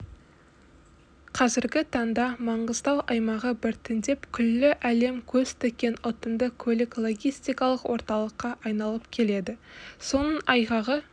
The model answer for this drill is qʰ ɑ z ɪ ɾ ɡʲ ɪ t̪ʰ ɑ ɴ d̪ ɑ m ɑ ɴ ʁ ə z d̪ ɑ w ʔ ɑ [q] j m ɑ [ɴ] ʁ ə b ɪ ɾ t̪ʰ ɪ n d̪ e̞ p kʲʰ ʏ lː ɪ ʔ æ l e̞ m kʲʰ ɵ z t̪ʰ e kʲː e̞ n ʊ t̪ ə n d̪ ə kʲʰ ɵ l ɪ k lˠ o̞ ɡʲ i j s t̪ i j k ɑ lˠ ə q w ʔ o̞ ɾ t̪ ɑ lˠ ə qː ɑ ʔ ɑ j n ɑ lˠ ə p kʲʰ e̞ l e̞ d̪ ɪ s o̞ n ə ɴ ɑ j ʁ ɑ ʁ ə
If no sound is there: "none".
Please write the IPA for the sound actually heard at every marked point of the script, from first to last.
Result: none, none

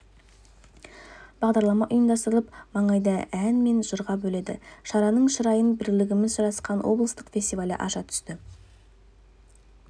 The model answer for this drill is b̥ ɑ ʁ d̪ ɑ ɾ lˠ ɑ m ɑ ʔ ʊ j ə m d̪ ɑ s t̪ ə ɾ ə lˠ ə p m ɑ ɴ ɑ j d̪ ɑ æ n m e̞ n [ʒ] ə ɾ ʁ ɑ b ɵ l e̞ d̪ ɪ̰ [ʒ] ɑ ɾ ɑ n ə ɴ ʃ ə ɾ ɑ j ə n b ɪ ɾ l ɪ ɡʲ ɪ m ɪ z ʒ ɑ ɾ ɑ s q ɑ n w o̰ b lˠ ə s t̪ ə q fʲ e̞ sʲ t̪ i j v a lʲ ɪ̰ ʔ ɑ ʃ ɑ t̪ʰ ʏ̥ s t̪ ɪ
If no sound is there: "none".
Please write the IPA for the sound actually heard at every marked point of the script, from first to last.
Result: ʒ, ʃ

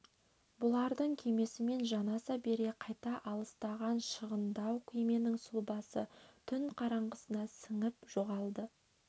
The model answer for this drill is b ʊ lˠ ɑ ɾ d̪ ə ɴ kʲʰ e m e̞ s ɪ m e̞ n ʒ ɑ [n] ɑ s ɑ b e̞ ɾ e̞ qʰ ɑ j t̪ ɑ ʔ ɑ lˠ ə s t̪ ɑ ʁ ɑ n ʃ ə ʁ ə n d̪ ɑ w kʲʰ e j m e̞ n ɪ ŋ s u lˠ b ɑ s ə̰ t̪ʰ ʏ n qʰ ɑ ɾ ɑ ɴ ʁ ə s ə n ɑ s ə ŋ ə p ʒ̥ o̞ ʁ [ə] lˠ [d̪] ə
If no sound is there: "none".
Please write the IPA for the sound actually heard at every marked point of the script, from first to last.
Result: n, ɑ, d̪

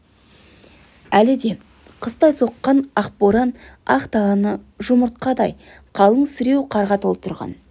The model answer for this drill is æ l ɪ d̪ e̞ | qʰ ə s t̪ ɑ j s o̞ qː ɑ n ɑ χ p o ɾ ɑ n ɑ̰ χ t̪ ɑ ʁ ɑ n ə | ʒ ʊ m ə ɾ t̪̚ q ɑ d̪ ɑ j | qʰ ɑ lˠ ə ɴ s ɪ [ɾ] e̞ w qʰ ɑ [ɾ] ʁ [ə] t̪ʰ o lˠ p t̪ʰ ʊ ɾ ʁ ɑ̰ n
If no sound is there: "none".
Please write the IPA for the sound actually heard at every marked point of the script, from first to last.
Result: ɾ, ɾ, ɑ

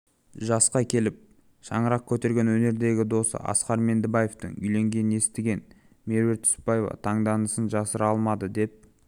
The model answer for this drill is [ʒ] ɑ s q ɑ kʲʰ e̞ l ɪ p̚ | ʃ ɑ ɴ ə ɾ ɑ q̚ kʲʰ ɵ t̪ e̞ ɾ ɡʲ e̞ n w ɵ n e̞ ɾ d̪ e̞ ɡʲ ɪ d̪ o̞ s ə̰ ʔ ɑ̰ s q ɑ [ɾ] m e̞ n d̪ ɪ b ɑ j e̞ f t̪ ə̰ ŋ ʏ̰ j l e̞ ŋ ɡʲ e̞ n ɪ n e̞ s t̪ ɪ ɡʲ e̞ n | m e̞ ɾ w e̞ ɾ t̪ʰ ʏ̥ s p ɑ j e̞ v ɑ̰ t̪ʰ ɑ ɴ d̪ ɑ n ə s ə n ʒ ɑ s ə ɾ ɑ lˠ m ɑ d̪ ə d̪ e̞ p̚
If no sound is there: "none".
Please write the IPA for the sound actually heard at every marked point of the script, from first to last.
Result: ʒ, ɾ

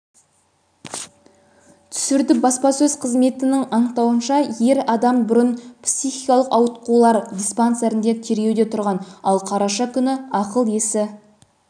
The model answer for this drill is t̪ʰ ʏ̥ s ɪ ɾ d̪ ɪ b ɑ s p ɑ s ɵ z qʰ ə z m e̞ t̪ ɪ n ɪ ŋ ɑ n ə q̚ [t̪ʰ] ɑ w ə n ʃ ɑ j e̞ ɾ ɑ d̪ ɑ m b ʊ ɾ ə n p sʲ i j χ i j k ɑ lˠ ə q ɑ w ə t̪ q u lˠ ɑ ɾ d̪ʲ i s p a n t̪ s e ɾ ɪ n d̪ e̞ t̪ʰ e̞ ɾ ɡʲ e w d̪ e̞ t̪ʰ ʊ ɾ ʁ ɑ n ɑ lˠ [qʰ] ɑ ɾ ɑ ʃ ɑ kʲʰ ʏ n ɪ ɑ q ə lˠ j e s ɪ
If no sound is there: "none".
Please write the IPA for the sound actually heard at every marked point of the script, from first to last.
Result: t̪, qʰ

